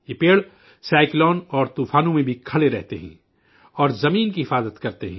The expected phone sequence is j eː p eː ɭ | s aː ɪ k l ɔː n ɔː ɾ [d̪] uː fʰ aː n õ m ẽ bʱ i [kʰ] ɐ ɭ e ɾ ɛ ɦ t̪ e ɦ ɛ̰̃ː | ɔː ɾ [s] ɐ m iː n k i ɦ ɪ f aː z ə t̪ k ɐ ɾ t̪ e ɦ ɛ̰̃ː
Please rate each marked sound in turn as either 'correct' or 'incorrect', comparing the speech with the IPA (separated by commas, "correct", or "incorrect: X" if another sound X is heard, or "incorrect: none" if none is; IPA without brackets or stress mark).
incorrect: t̪, correct, incorrect: z